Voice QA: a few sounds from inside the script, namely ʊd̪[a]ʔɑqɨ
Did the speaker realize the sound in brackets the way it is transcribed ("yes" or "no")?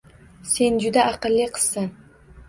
yes